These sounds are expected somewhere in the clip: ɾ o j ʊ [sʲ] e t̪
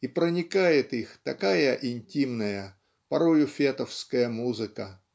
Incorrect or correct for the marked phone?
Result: incorrect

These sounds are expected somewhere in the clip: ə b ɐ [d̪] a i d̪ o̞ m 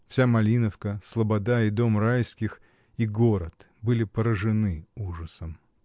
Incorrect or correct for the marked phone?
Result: correct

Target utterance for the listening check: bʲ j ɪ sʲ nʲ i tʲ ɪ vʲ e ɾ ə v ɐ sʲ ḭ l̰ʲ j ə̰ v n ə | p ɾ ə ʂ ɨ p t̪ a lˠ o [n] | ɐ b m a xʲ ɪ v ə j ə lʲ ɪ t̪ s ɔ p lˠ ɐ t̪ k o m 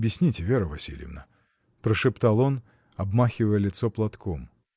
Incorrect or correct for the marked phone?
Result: correct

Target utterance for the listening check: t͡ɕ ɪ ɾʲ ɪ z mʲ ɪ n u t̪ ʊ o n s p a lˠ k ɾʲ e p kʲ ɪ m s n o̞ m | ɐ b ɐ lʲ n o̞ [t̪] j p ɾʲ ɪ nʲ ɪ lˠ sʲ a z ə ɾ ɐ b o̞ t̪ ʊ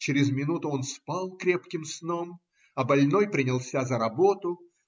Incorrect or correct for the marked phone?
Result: incorrect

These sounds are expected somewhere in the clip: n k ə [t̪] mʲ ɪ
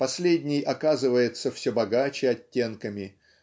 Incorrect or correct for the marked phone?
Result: incorrect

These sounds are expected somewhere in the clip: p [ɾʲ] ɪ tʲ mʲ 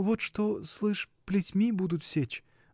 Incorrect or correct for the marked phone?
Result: incorrect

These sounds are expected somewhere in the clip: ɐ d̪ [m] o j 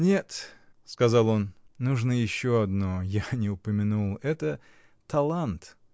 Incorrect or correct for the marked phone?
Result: incorrect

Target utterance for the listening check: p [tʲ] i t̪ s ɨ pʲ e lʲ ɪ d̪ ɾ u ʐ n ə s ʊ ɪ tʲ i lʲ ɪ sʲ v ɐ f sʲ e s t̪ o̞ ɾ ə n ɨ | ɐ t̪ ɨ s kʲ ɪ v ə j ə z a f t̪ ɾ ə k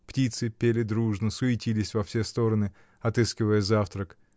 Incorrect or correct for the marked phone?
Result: correct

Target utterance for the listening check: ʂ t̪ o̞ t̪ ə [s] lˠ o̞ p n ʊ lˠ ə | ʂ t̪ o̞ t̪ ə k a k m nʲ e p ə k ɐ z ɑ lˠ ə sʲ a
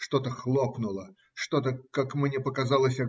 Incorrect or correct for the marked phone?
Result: incorrect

